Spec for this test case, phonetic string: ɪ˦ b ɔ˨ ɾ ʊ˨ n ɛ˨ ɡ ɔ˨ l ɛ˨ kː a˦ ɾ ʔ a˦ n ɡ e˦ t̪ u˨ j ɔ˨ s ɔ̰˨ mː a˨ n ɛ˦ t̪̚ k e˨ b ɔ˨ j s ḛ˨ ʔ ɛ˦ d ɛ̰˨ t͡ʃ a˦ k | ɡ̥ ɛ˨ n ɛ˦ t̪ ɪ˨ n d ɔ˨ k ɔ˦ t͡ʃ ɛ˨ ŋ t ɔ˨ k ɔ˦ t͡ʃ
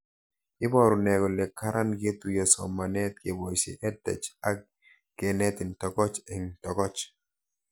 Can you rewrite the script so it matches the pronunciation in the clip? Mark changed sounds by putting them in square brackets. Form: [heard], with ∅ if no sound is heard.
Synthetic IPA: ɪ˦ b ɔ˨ ɾ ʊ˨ n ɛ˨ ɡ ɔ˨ l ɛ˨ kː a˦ ɾ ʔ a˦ n ɡ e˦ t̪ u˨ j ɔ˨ s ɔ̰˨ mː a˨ n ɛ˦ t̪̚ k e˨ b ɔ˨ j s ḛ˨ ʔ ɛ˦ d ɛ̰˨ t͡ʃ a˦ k | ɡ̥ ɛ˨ n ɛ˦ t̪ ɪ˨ n [t] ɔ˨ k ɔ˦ t͡ʃ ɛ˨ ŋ t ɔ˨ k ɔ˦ t͡ʃ